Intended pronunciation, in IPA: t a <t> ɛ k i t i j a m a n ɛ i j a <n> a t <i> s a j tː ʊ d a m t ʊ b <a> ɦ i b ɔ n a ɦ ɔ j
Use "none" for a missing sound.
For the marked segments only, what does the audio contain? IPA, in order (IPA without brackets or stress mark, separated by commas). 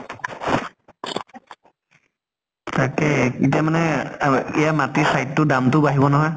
k, m, i, a